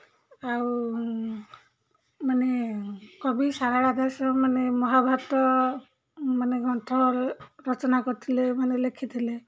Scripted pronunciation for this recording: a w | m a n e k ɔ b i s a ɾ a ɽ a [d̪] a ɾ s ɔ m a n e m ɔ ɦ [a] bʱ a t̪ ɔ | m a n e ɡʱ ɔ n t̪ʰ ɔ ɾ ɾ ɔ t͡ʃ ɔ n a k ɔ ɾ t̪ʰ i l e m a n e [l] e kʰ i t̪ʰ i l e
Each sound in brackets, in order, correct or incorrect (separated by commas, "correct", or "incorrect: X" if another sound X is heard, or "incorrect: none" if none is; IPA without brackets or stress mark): correct, correct, correct